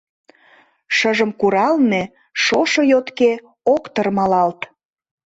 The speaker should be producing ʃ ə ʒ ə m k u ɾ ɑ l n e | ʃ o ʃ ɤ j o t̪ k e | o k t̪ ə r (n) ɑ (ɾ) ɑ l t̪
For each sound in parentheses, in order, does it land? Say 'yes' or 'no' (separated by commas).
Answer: no, no